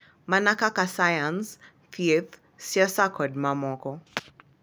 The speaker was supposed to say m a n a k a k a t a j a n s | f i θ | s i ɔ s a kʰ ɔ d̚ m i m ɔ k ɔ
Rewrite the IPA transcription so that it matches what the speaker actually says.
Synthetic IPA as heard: m a n a k a k a s a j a n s | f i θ | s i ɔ s a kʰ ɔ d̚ m a m ɔ k ɔ